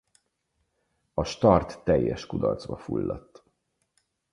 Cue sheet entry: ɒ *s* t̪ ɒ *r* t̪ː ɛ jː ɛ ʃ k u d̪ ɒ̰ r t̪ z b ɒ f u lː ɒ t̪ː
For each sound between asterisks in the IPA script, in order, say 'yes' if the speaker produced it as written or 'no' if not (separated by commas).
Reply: no, yes